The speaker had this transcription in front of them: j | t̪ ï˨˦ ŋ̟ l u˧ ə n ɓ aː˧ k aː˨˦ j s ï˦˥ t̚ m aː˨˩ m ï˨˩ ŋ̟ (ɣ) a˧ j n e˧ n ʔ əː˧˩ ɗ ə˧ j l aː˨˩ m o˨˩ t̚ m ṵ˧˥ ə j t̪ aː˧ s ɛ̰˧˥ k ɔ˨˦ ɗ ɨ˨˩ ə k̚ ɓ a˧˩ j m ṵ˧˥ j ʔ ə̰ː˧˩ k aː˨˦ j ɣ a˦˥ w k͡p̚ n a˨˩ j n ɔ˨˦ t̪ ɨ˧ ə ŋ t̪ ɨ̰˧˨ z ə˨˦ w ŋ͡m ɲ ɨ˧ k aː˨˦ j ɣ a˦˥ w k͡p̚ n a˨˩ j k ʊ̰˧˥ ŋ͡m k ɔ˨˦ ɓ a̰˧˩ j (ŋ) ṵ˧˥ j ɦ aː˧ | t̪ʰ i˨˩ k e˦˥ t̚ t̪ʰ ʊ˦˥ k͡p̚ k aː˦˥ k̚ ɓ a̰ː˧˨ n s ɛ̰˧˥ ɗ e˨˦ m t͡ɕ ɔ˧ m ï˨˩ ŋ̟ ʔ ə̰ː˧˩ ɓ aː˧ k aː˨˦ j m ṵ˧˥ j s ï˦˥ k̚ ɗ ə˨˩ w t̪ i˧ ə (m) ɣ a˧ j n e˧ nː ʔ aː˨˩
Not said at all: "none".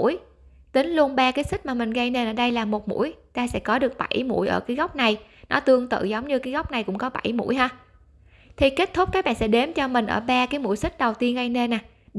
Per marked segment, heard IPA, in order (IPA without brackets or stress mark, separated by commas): ɣ, m, n